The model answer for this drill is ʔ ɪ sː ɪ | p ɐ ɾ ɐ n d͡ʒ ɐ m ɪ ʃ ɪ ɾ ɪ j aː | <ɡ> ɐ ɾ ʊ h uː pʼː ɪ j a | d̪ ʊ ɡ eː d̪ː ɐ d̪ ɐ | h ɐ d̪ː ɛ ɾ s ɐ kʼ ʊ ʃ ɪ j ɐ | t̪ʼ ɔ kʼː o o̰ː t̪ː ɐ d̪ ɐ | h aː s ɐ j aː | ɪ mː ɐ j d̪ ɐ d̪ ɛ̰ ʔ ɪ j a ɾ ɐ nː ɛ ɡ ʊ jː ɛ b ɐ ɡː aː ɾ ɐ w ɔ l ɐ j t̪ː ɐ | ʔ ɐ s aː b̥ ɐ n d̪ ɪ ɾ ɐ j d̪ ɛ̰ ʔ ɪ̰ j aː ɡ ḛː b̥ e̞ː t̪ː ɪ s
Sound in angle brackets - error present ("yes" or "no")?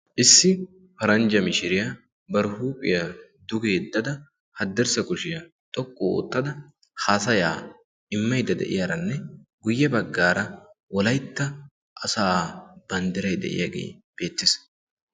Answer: yes